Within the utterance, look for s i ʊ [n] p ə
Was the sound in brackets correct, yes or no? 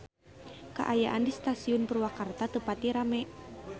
yes